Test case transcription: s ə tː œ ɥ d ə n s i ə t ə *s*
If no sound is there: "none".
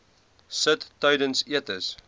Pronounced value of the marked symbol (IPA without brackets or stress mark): s